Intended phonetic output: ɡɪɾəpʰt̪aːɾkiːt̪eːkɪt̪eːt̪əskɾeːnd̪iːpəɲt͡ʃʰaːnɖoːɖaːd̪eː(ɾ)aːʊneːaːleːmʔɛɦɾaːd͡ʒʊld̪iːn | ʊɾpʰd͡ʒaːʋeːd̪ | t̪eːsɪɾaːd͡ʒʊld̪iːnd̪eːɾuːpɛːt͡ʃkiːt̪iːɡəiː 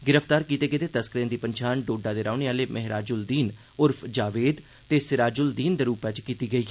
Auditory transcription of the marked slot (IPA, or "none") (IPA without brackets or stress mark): ɾ